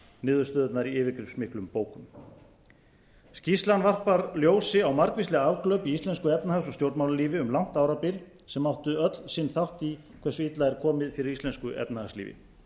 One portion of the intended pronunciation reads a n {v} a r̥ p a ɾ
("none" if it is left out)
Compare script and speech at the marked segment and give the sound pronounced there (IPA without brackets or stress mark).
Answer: v